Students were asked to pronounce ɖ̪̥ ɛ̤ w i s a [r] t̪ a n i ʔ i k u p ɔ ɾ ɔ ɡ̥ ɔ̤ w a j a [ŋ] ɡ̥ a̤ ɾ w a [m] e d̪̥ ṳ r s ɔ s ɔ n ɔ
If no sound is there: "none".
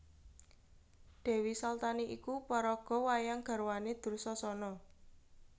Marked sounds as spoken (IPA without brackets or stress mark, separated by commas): l, ŋ, n